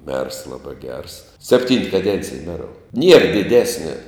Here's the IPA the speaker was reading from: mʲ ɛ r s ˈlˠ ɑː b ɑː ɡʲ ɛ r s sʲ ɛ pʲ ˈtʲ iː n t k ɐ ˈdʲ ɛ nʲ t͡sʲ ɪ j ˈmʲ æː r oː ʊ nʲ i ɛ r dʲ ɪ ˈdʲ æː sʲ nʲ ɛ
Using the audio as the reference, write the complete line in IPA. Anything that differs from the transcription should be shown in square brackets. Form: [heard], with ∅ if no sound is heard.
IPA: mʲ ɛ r s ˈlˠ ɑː b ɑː ɡʲ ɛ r s sʲ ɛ pʲ ˈtʲ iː n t k ɐ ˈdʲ ɛ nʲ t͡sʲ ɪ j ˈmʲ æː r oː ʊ nʲ i ɛ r dʲ ɪ ˈdʲ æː sʲ nʲ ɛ